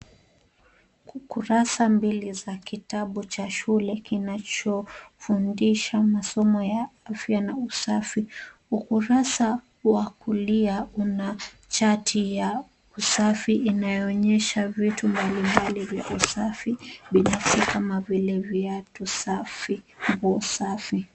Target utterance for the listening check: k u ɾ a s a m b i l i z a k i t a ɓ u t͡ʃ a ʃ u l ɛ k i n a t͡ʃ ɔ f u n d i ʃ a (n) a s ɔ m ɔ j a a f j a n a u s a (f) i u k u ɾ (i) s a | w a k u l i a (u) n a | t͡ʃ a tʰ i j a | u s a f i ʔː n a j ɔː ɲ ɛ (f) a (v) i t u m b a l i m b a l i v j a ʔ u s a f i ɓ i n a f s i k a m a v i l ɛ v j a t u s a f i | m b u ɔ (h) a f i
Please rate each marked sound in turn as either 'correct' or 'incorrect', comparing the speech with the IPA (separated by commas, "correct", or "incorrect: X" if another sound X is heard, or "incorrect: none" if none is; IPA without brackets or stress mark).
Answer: incorrect: m, correct, incorrect: a, correct, incorrect: ʃ, correct, incorrect: s